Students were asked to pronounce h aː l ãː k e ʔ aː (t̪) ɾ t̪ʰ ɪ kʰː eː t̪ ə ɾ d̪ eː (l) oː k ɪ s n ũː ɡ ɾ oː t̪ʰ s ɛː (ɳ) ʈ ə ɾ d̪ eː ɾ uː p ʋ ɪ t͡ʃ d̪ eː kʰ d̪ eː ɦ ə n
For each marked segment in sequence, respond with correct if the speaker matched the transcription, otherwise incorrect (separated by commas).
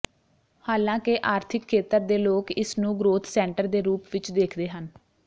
incorrect, correct, correct